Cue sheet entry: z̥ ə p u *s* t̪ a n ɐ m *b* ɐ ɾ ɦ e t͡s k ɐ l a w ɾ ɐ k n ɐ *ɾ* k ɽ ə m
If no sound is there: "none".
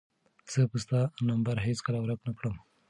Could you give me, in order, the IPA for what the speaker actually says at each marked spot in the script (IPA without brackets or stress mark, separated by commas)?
s, b, none